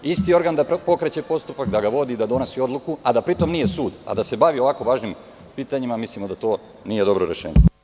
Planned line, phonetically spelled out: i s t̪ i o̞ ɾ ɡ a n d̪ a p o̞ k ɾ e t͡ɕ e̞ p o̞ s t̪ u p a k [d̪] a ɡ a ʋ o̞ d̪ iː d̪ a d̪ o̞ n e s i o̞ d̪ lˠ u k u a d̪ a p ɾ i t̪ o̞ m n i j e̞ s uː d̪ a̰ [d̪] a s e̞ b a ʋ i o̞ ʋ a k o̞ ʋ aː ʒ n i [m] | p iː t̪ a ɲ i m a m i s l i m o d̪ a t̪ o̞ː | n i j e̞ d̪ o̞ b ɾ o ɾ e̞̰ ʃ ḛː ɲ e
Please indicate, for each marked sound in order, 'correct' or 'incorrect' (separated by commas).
correct, correct, correct